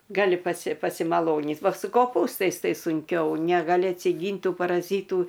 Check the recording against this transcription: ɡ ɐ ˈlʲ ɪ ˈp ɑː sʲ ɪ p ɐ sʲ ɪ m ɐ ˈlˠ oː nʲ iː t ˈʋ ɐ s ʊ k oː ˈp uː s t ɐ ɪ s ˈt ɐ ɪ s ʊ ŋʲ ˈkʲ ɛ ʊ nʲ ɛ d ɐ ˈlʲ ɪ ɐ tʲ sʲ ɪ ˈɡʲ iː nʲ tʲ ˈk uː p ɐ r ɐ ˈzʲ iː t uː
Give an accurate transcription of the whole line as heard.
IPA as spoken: ɡ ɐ ˈlʲ ɪ ˈp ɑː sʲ ɪ p ɐ sʲ ɪ m ɐ ˈlˠ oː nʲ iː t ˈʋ ɐ s ʊ k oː ˈp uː s t ɐ ɪ s ˈt ɐ ɪ s ʊ ŋʲ ˈkʲ ɛ ʊ nʲ ɛ ɡ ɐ ˈlʲ ɪ ɐ tʲ sʲ ɪ ˈɡʲ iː nʲ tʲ ˈt uː p ɐ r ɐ ˈzʲ iː t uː